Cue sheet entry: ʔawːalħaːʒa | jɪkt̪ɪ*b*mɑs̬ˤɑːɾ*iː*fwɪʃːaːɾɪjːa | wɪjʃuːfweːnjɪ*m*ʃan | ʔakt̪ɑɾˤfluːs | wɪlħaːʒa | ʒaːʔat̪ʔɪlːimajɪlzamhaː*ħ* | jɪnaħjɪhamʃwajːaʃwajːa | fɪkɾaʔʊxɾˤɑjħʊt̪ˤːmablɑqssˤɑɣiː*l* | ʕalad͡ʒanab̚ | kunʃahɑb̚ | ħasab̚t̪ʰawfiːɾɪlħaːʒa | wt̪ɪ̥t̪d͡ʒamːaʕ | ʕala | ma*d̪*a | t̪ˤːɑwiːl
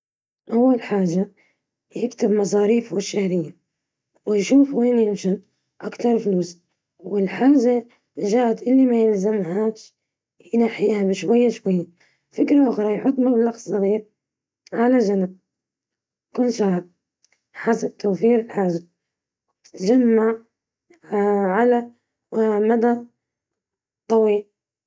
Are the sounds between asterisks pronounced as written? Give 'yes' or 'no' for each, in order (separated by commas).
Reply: yes, yes, yes, no, no, yes